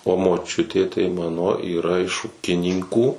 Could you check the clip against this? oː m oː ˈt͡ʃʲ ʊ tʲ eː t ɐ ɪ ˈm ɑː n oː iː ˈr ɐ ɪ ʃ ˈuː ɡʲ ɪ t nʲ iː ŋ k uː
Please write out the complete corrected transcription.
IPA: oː m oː ˈt͡ʃʲ ʊ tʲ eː t ɐ ɪ ˈm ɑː n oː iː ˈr ɐ ɪ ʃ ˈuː kʲ ɪ nʲ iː ŋ k uː

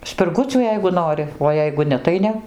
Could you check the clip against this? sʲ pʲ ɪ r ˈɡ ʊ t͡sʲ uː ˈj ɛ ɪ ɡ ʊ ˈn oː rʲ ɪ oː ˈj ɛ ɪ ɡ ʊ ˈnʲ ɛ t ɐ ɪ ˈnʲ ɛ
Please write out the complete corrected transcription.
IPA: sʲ pʲ ɪ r ˈɡ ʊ t͡sʲ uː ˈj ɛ ɪ ɡ ʊ ˈn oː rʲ ɪ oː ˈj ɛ ɪ ɡ ʊ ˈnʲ ɛ t ɐ ɪ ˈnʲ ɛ

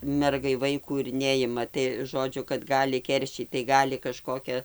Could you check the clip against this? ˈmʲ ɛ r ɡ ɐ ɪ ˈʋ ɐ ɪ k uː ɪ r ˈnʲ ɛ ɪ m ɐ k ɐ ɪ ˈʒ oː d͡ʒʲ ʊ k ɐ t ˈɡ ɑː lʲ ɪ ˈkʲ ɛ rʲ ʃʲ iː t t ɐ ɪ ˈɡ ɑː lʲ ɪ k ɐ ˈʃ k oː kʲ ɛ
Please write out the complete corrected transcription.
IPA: ˈmʲ ɛ r ɡ ɐ ɪ ˈʋ ɐ ɪ k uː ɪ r ˈnʲ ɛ ɪ m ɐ t ɐ ɪ ˈʒ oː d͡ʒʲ ʊ k ɐ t ˈɡ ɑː lʲ ɪ ˈkʲ ɛ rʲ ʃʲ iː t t ɐ ɪ ˈɡ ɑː lʲ ɪ k ɐ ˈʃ k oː kʲ ɛ

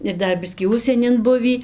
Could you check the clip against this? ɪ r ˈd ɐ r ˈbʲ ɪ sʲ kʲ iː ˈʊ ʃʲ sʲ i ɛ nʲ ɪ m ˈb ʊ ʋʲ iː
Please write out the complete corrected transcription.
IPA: ɪ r ˈd ɐ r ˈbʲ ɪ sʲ kʲ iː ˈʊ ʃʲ sʲ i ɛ nʲ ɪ n ˈb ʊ ʋʲ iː

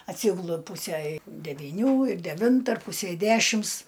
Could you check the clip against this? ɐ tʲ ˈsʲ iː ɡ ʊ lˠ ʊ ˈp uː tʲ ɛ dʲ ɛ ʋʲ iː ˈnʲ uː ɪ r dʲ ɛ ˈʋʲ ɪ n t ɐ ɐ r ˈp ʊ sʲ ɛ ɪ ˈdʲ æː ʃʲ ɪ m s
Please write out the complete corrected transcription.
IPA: ɐ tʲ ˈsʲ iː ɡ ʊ lˠ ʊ ˈp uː sʲ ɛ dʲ ɛ ʋʲ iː ˈnʲ uː ɪ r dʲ ɛ ˈʋʲ ɪ n t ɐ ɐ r ˈp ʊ sʲ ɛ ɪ ˈdʲ æː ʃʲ ɪ m s

